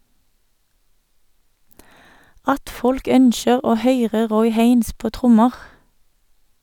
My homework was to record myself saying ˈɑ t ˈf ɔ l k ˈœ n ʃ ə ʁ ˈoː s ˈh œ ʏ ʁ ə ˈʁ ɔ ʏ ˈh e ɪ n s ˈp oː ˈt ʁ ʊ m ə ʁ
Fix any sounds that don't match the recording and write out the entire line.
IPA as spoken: ˈɑ t ˈf ɔ l k ˈœ n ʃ ə ʁ ˈoː ˈh œ ʏ ʁ ə ˈʁ ɔ ʏ ˈh e ɪ n s ˈp oː ˈt ʁ ʊ m ə ʁ